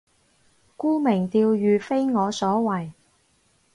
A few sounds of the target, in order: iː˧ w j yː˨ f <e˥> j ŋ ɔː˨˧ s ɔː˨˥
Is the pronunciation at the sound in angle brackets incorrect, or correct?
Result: correct